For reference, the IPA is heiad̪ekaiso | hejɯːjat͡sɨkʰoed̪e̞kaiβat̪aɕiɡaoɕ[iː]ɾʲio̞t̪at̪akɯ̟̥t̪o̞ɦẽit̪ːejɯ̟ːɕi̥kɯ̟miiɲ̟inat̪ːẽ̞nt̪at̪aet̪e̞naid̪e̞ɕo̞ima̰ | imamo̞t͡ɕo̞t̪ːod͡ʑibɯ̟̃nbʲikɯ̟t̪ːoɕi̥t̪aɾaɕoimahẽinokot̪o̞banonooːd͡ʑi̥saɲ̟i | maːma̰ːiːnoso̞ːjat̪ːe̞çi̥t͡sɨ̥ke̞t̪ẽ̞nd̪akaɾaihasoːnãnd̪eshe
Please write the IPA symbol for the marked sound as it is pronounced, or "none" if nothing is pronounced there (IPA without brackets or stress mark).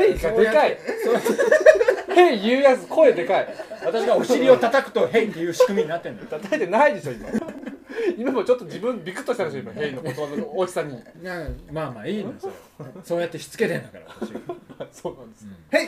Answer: i